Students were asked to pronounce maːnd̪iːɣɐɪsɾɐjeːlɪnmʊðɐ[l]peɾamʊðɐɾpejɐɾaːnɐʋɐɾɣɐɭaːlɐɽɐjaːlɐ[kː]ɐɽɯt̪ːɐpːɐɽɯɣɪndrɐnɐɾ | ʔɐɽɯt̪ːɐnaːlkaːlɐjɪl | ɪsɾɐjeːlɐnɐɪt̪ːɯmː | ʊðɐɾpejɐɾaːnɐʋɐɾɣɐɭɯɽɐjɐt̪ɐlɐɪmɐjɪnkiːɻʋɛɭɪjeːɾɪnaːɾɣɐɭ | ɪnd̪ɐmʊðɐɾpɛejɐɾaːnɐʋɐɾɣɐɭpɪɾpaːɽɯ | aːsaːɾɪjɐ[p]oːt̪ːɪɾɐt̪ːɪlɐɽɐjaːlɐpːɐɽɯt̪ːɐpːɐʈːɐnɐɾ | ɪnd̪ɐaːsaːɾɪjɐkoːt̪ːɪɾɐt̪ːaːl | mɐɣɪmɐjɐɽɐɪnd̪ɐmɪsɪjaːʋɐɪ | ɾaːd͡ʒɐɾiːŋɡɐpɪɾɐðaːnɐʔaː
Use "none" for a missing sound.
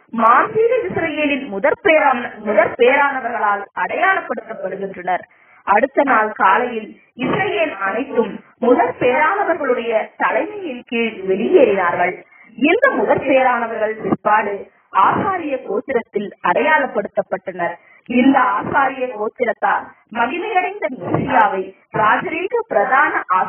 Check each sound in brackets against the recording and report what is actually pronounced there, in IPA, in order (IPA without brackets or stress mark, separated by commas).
ɾ, pː, k